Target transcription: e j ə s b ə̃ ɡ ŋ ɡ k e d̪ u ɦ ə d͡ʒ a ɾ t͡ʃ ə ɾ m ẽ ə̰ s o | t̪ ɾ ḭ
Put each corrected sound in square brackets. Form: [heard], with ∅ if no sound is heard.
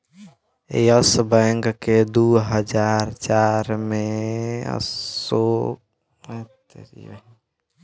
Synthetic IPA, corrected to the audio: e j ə s b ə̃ [∅] ŋ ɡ k e d̪ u ɦ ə d͡ʒ a ɾ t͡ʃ [a] ɾ m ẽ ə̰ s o | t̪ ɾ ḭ